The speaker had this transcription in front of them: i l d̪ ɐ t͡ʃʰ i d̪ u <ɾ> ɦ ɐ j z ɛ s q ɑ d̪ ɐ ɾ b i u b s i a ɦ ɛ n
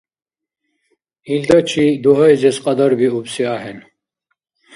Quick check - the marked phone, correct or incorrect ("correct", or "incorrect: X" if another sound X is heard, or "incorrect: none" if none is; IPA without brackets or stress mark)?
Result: incorrect: none